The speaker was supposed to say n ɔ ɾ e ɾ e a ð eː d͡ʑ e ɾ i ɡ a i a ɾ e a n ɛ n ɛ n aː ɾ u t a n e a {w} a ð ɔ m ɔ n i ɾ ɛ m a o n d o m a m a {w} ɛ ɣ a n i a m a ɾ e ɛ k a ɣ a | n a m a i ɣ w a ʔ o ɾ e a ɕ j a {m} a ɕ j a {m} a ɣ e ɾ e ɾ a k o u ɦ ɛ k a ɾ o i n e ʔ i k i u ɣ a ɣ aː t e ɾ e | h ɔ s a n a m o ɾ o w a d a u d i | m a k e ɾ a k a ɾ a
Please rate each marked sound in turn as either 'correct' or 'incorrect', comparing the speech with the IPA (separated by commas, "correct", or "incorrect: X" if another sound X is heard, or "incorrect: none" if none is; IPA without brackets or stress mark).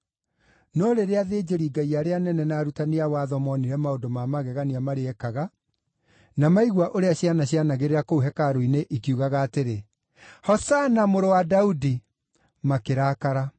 correct, incorrect: ɣ, incorrect: n, incorrect: n